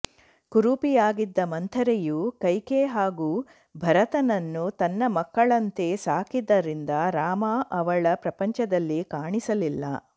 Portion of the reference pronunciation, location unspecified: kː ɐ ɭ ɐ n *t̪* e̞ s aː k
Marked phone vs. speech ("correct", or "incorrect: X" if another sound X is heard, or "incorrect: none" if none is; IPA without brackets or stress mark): correct